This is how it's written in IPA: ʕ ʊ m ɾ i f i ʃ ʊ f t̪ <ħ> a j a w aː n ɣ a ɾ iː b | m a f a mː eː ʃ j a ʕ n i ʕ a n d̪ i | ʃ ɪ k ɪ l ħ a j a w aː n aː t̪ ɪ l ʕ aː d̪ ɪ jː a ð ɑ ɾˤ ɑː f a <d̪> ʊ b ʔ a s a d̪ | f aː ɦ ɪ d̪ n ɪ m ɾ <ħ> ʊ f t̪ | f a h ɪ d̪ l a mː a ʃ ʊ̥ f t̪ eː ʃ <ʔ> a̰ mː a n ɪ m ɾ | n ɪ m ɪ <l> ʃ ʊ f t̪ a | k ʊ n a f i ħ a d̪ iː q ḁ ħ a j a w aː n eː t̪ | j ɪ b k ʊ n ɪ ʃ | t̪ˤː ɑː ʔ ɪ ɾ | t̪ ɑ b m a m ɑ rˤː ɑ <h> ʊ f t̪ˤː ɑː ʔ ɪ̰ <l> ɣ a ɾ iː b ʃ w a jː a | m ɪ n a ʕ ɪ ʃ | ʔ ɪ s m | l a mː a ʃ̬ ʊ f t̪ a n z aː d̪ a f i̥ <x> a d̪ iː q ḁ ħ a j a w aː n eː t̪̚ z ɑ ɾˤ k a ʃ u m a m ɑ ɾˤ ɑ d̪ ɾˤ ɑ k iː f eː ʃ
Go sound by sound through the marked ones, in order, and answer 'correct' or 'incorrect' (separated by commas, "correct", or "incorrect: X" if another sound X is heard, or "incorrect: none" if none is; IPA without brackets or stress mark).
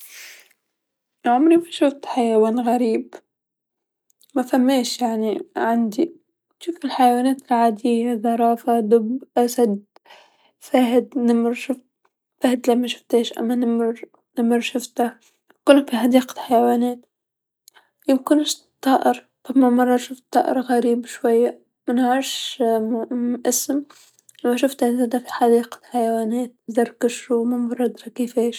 correct, correct, incorrect: ʃ, correct, incorrect: ɾ, incorrect: ʃ, incorrect: ɾ, incorrect: ħ